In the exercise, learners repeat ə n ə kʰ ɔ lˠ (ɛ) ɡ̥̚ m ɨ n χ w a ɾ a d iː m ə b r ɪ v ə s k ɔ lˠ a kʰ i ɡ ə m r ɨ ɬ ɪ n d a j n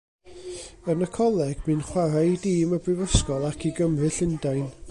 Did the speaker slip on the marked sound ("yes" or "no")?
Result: no